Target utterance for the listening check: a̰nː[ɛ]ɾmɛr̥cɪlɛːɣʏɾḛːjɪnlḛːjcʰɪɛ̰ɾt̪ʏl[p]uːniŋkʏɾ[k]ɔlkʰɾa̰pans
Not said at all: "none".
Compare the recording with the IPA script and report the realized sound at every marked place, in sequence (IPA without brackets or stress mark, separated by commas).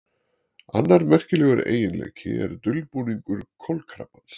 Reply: a, p, kʰ